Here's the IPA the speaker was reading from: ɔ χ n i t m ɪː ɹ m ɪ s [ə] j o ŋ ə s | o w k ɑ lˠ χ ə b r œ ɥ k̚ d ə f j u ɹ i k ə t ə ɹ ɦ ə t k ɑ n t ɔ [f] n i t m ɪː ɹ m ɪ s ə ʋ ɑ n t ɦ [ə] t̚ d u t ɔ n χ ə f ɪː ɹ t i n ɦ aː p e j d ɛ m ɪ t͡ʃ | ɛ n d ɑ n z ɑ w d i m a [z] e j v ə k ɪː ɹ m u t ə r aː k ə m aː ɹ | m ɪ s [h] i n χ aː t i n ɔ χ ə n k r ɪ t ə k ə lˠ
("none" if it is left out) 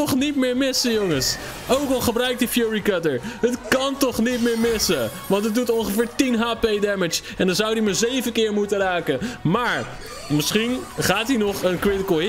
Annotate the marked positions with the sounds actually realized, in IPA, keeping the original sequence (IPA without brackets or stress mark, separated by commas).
ə, χ, ə, z, χ